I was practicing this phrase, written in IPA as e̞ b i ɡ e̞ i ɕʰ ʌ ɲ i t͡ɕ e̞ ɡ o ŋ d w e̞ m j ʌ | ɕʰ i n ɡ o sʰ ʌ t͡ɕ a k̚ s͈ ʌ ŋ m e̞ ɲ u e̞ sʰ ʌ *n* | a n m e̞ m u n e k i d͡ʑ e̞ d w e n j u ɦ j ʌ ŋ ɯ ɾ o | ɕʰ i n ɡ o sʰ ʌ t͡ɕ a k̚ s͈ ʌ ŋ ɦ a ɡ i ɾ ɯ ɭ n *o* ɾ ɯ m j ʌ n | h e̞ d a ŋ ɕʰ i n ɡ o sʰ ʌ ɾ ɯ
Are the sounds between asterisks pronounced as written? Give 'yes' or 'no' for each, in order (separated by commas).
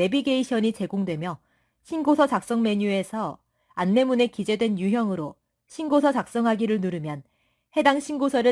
no, no